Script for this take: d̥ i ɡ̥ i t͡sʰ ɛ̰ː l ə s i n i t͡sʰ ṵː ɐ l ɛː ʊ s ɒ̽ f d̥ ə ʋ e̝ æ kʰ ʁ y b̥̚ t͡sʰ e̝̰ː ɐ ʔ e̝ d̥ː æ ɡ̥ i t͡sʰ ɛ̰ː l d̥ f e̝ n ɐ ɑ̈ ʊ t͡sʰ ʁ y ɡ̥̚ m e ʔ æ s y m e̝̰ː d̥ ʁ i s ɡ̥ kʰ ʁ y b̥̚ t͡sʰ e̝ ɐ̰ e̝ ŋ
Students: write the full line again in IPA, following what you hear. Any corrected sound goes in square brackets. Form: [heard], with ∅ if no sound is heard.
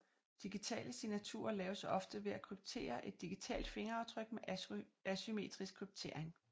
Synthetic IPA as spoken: d̥ i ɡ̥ i t͡sʰ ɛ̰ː l ə s i n [æ] t͡sʰ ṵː ɐ l ɛː ʊ s ɒ̽ f d̥ ə ʋ e̝ æ kʰ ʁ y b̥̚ t͡sʰ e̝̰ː ɐ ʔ e̝ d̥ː [i] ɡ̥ i t͡sʰ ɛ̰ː l d̥ f e̝ [ŋ] ɐ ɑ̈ ʊ t͡sʰ ʁ [œ] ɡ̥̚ m e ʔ æ s y m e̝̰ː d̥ ʁ i s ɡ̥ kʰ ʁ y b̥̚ t͡sʰ e̝ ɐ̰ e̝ ŋ